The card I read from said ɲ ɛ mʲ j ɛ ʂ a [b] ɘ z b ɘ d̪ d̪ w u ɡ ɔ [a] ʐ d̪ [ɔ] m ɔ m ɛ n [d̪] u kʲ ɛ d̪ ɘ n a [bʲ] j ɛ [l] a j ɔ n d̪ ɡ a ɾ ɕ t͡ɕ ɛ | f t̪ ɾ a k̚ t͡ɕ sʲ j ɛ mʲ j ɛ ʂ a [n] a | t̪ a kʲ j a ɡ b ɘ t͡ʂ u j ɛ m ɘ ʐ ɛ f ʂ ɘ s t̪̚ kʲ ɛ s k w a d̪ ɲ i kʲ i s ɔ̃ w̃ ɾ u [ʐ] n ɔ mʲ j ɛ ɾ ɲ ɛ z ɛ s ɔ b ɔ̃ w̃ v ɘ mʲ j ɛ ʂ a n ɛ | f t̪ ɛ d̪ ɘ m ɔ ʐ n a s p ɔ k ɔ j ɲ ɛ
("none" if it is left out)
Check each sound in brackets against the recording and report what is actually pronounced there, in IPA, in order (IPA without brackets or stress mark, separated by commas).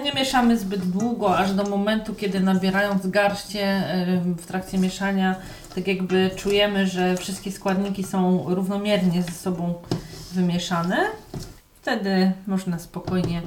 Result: m, a, ɔ, t̪, bʲ, ɾ, ɲ, v